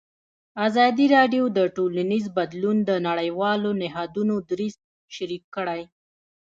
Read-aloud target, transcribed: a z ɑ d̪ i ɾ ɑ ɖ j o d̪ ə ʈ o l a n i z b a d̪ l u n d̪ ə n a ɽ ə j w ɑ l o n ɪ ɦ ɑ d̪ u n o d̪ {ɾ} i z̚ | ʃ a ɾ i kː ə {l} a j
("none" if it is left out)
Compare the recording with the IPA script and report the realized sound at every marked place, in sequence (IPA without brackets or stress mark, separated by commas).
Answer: ɾ, ɽ